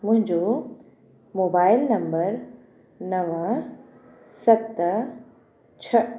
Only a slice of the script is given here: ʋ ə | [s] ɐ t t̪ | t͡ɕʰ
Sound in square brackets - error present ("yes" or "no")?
no